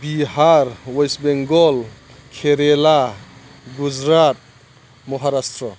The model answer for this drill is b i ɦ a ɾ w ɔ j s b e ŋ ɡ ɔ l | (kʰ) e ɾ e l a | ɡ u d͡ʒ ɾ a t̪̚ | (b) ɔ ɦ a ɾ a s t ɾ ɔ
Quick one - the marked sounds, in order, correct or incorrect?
correct, incorrect: m

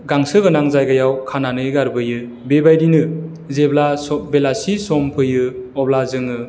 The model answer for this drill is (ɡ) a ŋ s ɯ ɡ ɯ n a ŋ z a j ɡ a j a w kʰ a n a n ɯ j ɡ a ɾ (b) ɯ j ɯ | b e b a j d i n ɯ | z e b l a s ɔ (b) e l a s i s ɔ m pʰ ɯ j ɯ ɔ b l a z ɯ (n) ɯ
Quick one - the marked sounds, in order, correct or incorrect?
correct, correct, correct, incorrect: ŋ

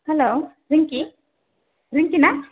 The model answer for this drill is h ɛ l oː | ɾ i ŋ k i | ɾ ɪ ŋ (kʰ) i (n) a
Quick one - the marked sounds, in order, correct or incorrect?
incorrect: k, correct

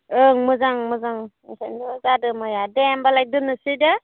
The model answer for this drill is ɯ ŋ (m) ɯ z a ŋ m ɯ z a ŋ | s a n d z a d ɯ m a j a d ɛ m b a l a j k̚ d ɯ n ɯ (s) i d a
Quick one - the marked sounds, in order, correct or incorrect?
correct, correct

